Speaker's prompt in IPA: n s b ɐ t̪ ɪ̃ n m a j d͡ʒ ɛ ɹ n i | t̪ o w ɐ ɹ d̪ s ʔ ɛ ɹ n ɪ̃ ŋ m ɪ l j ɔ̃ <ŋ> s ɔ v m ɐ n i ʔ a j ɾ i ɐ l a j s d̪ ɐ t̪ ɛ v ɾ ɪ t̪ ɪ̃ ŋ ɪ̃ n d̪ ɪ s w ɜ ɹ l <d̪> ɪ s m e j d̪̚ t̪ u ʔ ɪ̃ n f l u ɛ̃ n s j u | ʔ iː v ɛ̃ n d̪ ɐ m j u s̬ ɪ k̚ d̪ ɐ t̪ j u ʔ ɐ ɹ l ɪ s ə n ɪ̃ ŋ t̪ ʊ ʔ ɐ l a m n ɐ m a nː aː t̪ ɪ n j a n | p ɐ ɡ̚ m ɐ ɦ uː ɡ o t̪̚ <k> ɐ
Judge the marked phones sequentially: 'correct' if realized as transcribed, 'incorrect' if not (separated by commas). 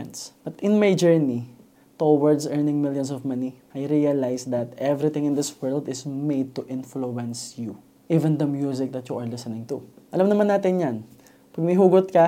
incorrect, correct, correct